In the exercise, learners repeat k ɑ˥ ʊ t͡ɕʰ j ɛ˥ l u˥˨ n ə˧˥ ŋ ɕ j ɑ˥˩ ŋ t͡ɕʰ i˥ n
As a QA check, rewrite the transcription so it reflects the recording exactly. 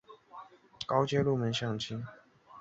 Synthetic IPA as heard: k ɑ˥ ʊ t͡ɕ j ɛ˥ l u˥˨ m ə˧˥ n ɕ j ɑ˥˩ ŋ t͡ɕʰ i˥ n